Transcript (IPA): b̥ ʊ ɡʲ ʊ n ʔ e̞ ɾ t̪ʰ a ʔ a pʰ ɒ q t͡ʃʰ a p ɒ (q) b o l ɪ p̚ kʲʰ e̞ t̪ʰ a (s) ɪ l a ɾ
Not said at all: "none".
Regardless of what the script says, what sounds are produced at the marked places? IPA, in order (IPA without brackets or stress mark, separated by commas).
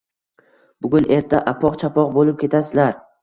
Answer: q, s